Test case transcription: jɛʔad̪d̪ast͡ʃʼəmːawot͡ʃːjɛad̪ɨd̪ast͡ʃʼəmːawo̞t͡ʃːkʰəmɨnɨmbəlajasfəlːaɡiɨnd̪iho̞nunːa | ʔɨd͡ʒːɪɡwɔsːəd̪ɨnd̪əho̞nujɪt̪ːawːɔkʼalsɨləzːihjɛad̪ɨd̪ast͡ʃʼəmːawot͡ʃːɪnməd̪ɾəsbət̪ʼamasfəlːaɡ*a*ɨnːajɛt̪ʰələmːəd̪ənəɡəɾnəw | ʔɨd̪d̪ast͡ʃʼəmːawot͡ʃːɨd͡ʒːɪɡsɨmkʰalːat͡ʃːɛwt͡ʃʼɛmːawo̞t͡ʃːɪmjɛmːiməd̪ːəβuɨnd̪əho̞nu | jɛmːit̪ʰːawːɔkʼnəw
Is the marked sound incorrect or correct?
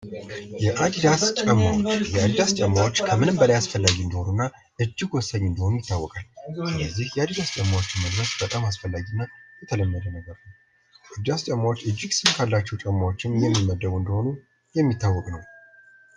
incorrect